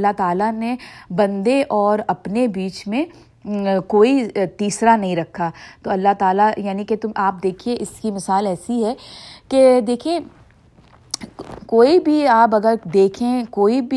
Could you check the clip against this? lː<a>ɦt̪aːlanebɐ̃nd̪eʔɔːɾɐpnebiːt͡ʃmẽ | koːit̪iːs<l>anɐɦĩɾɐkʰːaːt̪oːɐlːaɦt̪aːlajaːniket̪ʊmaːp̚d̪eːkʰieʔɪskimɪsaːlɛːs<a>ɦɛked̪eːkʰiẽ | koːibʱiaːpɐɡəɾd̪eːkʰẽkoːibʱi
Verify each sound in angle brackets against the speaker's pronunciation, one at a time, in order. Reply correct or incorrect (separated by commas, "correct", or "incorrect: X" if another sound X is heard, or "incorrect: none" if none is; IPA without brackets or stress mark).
correct, incorrect: ɾ, incorrect: i